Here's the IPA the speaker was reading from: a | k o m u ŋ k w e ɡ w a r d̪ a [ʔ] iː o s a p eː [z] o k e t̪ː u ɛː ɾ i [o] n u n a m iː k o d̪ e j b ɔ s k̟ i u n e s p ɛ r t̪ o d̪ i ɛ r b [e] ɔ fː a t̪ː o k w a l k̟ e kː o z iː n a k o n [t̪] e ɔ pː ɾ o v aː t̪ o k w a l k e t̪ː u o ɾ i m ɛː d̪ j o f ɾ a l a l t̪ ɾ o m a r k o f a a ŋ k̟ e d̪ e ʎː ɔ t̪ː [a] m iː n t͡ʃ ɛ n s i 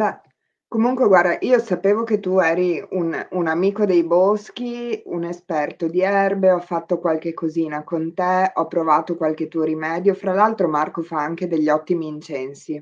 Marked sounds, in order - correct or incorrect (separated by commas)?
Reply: correct, incorrect, incorrect, correct, correct, incorrect